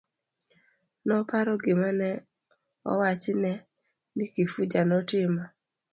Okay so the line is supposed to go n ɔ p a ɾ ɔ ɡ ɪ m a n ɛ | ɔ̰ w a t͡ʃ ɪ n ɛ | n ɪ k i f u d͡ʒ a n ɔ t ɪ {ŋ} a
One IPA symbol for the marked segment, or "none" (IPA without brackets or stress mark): m